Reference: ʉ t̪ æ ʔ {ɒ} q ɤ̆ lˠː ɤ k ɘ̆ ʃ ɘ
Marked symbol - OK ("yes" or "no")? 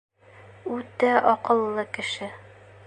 yes